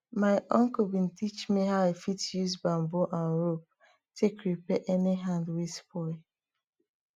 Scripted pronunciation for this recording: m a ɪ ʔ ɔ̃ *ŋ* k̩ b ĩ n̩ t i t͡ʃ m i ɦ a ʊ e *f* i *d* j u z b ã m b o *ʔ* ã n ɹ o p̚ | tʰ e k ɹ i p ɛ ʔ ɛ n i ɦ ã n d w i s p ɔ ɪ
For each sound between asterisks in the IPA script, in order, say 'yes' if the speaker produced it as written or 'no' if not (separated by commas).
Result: yes, yes, no, yes